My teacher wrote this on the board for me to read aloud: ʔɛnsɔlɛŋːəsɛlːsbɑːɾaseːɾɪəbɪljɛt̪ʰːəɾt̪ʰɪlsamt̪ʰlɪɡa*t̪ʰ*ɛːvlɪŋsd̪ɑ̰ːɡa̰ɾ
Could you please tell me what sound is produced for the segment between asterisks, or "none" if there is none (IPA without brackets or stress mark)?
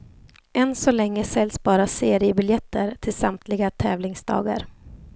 t̪ʰ